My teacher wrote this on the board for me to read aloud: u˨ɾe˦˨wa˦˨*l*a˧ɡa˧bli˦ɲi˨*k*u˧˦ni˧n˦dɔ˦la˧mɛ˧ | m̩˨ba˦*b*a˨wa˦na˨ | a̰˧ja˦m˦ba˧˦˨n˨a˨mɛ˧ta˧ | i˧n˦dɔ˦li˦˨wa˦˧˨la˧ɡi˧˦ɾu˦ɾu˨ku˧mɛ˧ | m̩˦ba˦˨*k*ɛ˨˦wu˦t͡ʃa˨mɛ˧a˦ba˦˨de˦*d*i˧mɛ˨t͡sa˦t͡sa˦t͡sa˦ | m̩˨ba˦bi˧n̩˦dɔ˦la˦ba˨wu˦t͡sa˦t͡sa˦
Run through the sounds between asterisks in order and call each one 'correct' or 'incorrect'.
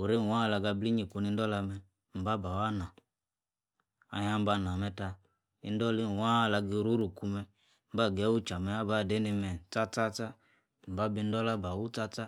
correct, correct, correct, incorrect, incorrect

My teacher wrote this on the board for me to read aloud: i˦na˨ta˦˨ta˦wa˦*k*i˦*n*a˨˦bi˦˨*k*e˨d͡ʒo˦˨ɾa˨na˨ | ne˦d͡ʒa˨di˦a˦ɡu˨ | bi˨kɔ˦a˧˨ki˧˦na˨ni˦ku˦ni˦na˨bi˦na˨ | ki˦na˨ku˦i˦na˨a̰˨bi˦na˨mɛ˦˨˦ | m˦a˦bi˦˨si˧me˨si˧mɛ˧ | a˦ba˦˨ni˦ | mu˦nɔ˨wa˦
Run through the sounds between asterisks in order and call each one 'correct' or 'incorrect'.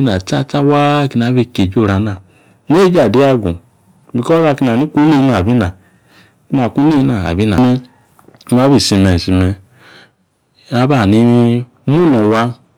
correct, correct, correct

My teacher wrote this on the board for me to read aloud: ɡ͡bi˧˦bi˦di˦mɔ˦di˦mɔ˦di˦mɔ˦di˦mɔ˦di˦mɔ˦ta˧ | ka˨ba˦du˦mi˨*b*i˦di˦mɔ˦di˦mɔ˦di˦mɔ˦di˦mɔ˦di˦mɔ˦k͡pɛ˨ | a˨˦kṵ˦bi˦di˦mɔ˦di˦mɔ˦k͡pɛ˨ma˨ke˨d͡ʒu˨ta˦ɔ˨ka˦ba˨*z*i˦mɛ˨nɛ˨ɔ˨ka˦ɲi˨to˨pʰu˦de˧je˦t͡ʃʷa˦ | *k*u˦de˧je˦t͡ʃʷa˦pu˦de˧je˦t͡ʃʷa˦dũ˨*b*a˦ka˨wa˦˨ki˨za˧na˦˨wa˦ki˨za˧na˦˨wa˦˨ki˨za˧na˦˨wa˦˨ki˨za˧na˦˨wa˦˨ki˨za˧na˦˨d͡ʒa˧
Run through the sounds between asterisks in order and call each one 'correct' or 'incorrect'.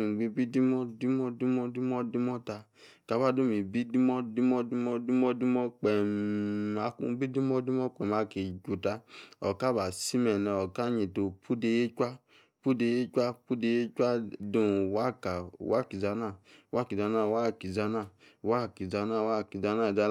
correct, incorrect, incorrect, incorrect

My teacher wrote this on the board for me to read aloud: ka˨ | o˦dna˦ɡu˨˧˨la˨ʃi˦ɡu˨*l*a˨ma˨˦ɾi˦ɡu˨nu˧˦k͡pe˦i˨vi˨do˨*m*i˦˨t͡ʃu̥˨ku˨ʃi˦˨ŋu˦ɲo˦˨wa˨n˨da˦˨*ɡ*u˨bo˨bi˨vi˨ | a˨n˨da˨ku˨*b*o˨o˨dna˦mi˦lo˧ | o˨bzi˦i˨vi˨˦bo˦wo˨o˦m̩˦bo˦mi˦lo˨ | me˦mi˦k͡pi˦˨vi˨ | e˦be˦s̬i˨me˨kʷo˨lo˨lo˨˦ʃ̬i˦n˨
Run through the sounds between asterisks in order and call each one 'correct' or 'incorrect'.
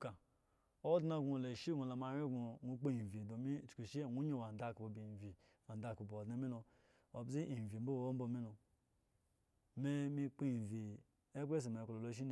correct, correct, incorrect, correct

